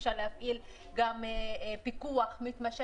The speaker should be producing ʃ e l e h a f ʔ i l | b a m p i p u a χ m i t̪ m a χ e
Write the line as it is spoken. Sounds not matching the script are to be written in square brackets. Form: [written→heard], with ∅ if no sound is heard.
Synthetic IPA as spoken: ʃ [e→a] l e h a f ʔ i l | [b→ɡ] a m p i [p→k] u a χ m i t̪ m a [χ→ʃ] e